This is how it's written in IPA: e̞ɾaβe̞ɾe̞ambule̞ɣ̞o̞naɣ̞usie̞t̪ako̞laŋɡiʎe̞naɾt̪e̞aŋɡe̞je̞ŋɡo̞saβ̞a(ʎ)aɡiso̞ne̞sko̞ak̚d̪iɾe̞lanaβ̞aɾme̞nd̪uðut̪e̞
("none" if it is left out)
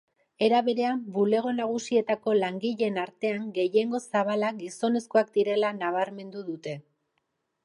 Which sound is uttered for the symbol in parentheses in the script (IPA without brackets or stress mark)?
l